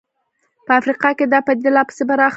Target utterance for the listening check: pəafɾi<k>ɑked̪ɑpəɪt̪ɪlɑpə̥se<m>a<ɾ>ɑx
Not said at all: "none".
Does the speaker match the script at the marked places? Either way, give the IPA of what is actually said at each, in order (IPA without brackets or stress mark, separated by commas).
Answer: q, b, ɾ